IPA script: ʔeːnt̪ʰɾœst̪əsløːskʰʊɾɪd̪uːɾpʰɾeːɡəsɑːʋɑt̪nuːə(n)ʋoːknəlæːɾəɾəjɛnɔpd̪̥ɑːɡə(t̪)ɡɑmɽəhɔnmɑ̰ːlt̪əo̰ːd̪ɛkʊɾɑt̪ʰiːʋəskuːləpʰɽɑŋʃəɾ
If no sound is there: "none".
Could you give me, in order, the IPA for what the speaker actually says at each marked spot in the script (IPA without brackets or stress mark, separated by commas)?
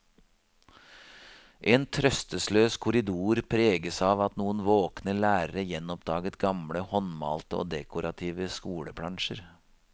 n, t̪